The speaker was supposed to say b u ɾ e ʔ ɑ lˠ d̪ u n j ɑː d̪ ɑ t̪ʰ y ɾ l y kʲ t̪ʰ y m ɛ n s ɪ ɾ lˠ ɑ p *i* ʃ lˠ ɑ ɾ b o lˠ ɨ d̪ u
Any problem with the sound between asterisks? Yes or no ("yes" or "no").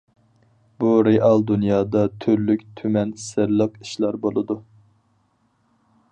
no